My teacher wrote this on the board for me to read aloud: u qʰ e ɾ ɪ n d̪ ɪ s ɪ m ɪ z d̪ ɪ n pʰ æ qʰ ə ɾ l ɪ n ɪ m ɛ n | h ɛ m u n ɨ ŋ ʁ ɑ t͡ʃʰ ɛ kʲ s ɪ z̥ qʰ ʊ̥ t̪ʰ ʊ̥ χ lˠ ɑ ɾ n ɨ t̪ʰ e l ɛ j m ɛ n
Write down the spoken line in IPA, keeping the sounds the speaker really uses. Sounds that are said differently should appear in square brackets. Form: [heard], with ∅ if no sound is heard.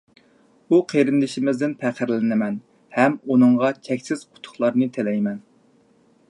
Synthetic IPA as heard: u qʰ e ɾ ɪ n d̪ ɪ [ʃ] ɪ m ɪ z d̪ ɪ n pʰ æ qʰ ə ɾ l ɪ n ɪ m ɛ n | h ɛ m u n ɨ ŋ ʁ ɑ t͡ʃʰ ɛ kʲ s ɪ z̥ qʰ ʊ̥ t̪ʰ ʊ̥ χ lˠ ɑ ɾ n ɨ t̪ʰ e l ɛ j m ɛ n